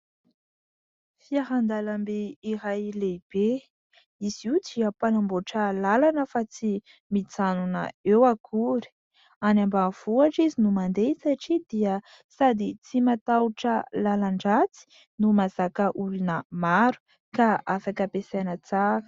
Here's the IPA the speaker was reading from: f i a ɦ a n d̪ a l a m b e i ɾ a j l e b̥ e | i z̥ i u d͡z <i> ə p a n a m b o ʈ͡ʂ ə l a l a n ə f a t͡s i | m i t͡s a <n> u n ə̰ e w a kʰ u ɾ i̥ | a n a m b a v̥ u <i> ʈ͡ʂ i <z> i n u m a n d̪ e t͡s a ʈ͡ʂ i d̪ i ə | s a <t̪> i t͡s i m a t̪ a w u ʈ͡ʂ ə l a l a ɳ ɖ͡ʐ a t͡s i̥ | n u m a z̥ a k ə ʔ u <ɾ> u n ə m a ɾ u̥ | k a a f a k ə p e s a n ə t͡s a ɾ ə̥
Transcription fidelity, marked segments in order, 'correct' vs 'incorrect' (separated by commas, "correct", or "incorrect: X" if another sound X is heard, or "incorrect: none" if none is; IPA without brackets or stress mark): correct, correct, incorrect: a, correct, incorrect: d̪, incorrect: l